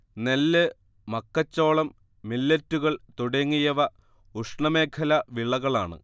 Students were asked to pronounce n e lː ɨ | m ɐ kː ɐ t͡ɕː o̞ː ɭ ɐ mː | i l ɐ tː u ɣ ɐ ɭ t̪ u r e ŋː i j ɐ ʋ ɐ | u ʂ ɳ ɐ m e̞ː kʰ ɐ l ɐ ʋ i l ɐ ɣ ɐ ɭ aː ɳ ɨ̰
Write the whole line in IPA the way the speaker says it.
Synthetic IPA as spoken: n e lː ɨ | m ɐ kː ɐ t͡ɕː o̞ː ɭ ɐ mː | i lː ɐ tː u ɣ ɐ ɭ t̪ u ɽ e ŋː i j ɐ ʋ ɐ | u ʂ ɳ ɐ m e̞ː kʰ ɐ l ɐ ʋ i ɭ ɐ ɣ ɐ ɭ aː ɳ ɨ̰